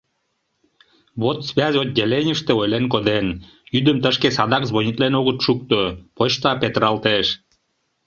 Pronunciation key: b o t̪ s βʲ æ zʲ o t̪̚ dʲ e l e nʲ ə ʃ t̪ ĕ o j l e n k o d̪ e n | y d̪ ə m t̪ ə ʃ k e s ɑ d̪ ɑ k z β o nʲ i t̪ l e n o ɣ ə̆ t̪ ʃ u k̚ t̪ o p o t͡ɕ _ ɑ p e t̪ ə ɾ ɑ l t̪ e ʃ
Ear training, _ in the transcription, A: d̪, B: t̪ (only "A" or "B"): B